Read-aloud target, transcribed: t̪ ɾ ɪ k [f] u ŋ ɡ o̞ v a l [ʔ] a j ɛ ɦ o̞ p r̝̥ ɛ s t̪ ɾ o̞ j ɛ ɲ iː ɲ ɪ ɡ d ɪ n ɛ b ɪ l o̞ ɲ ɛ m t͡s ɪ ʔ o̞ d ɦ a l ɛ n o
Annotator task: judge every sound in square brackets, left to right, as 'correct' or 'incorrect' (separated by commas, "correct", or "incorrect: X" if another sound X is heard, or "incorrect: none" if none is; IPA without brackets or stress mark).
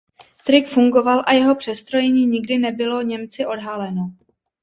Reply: correct, correct